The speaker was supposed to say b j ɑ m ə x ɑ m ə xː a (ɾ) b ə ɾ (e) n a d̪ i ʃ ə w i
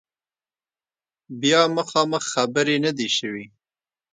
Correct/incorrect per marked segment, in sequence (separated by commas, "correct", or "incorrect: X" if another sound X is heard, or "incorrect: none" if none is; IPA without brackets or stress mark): incorrect: none, correct